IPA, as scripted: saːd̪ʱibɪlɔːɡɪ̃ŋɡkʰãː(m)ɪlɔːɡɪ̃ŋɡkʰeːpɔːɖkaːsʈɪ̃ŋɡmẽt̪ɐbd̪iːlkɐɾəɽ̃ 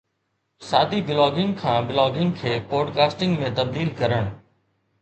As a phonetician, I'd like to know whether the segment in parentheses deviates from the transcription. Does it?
yes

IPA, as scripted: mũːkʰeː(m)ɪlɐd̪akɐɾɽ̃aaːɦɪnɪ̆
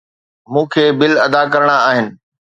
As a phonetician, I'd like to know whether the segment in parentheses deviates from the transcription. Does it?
yes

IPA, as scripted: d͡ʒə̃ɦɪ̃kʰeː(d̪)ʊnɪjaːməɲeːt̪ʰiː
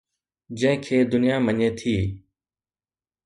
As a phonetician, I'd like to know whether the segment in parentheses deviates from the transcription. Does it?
no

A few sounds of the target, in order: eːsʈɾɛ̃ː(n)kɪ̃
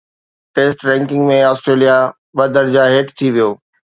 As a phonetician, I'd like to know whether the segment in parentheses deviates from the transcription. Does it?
yes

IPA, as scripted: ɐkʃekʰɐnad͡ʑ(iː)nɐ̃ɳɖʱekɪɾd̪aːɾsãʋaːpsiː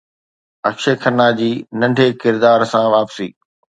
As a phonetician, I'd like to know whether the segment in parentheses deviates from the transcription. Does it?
no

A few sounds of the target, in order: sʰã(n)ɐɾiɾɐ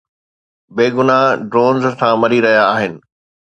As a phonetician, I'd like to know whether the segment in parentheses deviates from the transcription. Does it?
yes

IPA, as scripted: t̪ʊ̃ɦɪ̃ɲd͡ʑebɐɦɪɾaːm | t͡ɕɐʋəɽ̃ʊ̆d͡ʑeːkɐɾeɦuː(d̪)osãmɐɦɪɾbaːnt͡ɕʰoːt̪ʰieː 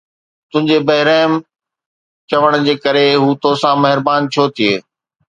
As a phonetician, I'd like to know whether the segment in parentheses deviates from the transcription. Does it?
yes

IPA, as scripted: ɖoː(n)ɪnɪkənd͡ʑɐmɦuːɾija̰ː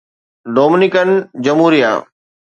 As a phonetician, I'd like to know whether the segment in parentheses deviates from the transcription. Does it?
yes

